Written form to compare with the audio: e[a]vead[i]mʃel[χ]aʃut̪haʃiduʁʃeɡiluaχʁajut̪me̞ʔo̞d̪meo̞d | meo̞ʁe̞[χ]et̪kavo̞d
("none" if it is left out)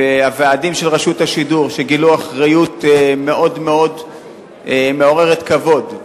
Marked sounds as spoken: a, i, ʁ, ʁ

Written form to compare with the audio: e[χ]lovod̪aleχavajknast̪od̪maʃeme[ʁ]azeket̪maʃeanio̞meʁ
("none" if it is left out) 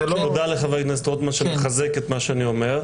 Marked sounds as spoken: none, χ

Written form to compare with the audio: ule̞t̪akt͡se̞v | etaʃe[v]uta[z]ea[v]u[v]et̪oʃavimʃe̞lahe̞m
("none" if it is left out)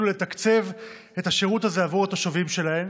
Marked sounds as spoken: ʁ, z, v, ʁ

